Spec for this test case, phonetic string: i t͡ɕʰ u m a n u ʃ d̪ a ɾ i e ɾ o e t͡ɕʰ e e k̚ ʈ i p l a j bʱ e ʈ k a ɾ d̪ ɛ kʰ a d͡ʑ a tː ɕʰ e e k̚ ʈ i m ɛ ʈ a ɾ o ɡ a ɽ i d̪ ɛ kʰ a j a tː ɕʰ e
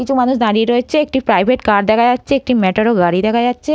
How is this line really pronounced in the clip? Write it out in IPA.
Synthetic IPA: i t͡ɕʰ u m a n u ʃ d̪ a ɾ i e ɾ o e t͡ɕʰ e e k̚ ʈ i p ɾ a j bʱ e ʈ k a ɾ d̪ ɛ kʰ a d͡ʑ a tː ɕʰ e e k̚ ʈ i m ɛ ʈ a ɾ o ɡ a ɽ i d̪ ɛ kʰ a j a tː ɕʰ e